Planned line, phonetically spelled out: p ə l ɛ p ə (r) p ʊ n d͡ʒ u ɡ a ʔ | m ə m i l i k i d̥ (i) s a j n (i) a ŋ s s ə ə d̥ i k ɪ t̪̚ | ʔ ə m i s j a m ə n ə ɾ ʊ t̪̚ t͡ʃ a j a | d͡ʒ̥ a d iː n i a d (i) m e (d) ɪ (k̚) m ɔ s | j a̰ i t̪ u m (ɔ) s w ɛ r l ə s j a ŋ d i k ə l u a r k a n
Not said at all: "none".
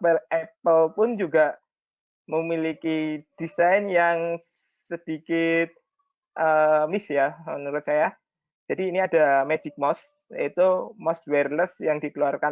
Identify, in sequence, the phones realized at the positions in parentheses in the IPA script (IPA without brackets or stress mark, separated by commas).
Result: l, i, j, a, d͡ʒ, k̚, ɔ